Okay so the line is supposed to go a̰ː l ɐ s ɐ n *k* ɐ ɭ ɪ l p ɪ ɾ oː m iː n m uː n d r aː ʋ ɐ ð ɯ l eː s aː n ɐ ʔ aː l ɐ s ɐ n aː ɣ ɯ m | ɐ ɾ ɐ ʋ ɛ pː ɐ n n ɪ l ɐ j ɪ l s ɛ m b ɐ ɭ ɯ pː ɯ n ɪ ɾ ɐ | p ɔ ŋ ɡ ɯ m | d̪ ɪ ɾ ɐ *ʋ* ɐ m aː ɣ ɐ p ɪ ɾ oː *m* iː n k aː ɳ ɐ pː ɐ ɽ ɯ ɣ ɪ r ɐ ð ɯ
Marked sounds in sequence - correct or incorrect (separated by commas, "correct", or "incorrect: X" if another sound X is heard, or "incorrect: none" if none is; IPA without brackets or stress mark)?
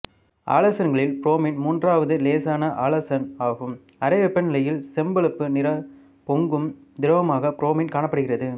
incorrect: ɡ, correct, correct